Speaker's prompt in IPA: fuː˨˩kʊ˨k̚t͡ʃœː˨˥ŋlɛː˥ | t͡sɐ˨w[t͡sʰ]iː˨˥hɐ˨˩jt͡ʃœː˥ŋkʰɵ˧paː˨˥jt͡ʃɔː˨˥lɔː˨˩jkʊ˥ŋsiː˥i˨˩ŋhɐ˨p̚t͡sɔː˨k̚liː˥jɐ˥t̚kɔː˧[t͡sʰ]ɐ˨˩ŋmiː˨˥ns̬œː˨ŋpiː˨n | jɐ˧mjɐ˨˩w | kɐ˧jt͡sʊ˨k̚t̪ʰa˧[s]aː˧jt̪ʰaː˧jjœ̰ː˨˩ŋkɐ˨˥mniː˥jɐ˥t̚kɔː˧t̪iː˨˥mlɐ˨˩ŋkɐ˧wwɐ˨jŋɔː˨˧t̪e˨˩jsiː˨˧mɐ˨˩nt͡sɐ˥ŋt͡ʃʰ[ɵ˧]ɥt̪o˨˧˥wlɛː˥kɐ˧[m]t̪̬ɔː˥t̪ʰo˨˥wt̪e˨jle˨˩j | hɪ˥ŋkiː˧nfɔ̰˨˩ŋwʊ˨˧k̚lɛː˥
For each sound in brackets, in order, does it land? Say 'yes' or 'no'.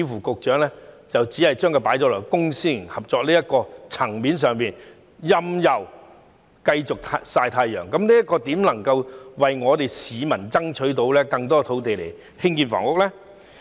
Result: no, yes, yes, no, no

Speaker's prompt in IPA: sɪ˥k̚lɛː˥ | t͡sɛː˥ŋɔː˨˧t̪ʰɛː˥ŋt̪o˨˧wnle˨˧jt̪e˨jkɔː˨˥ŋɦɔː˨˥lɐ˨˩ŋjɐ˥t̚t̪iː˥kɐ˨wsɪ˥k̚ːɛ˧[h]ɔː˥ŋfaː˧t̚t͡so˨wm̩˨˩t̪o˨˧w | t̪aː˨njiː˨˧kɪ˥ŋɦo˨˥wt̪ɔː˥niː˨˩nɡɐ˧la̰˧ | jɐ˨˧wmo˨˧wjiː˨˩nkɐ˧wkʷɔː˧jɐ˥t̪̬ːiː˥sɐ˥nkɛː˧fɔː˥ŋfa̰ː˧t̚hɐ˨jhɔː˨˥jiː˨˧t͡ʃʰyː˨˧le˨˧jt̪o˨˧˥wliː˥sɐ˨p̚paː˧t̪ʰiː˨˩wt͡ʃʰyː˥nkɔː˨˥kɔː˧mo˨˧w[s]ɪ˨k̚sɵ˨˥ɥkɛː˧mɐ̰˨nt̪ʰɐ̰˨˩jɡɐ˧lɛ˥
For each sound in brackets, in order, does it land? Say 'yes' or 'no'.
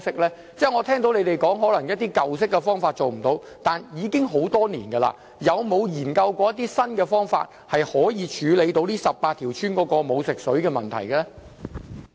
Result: no, yes

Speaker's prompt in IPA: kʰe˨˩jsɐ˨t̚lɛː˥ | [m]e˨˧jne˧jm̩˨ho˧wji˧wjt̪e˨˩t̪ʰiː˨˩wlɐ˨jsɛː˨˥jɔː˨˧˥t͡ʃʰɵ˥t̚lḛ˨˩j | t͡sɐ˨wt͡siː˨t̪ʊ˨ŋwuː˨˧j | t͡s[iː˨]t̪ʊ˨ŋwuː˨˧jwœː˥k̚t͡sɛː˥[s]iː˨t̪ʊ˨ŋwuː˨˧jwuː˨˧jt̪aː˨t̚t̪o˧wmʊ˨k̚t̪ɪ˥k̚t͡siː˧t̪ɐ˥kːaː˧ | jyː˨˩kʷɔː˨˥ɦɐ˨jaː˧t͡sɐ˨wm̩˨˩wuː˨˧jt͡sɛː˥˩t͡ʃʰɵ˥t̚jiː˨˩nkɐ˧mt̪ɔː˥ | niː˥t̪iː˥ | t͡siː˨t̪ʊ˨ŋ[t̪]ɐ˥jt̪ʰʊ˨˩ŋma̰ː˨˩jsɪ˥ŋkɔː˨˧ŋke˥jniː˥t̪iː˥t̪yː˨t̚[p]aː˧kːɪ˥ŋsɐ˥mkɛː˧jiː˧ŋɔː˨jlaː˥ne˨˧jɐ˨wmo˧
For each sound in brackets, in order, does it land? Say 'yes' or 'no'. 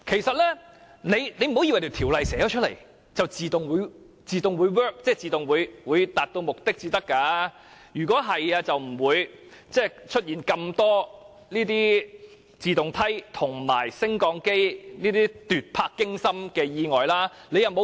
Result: no, yes, no, no, no

